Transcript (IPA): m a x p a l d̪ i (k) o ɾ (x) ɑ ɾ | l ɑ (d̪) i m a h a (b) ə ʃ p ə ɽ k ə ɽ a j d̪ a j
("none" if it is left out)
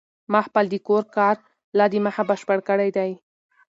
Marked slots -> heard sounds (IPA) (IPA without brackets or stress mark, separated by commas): k, k, d̪, b